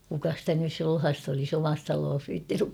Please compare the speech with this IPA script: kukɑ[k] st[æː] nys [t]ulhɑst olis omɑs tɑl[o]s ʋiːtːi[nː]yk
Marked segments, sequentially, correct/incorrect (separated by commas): incorrect, incorrect, incorrect, incorrect, incorrect